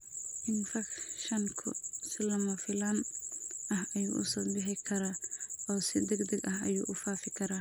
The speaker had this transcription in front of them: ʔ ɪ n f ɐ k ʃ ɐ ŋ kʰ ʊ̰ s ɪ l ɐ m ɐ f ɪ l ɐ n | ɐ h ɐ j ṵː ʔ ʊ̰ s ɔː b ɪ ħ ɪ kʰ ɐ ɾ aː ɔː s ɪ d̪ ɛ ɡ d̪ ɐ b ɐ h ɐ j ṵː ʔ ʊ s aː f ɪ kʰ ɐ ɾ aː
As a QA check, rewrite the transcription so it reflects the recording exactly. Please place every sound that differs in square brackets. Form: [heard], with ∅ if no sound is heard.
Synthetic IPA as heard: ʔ ɪ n f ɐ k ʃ ɐ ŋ kʰ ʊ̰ s ɪ l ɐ m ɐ f ɪ l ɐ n | ɐ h ɐ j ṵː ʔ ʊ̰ s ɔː b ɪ ħ ɪ kʰ ɐ ɾ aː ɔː s ɪ d̪ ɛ ɡ d̪ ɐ [ɡ] ɐ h ɐ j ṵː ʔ ʊ [f] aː f ɪ kʰ ɐ ɾ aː